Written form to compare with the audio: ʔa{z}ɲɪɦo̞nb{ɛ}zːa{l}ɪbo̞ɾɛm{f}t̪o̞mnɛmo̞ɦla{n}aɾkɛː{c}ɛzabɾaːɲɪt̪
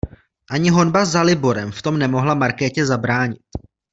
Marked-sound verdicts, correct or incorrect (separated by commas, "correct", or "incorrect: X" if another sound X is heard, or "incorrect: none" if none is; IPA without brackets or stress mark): incorrect: none, incorrect: a, correct, correct, incorrect: m, correct